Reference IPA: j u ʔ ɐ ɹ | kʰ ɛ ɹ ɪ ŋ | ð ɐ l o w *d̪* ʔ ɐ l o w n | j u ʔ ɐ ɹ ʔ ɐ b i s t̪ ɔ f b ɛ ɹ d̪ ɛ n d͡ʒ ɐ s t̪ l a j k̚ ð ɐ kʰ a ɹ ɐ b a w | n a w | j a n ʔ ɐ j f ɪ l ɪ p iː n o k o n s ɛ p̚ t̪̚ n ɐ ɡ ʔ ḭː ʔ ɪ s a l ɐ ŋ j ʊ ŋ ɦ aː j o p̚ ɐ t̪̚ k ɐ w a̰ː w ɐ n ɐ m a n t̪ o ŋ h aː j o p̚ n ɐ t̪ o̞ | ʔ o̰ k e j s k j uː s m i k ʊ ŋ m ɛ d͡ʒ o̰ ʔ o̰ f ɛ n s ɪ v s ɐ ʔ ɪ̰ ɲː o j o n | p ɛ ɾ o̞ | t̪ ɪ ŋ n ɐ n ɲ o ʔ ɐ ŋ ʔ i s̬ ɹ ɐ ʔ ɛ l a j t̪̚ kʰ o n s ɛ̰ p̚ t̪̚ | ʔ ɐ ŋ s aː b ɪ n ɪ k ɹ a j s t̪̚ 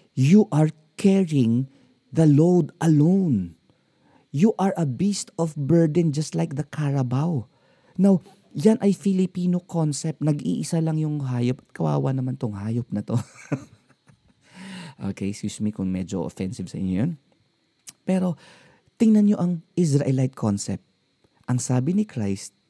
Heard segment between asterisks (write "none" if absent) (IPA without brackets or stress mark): d̪